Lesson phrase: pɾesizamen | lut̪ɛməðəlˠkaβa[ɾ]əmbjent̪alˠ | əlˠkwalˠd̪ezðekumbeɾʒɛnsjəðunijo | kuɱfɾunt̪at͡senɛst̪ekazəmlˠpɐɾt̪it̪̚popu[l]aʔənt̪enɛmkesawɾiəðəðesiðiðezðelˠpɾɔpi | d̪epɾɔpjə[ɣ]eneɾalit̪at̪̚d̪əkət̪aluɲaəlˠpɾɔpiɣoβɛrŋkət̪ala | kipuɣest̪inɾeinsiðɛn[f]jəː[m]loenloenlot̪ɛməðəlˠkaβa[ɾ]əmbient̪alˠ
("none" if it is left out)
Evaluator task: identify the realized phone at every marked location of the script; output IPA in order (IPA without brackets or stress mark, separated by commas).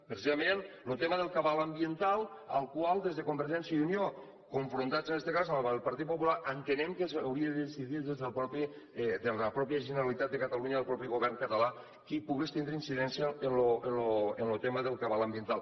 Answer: l, l, ʒ, s, n, l